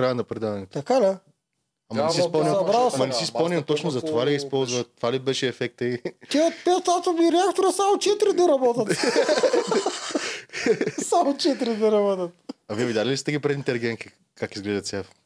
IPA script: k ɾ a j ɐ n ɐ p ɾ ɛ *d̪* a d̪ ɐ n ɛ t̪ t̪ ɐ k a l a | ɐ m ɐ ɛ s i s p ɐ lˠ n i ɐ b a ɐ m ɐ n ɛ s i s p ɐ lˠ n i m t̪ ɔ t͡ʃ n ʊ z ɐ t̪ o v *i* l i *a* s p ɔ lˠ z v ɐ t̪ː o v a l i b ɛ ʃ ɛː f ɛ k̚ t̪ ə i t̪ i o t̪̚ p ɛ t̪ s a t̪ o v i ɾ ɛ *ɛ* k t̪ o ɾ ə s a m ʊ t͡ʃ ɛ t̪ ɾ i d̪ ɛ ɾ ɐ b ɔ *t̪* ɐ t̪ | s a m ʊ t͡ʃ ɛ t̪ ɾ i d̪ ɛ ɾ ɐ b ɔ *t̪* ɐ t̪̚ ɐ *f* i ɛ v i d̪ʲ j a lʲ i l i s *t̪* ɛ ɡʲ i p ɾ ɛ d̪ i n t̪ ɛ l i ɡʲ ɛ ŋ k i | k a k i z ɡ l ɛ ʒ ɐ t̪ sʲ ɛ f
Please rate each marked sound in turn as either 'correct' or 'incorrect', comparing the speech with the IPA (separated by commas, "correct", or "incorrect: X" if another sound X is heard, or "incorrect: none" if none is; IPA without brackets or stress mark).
correct, incorrect: a, incorrect: i, incorrect: a, correct, correct, incorrect: v, correct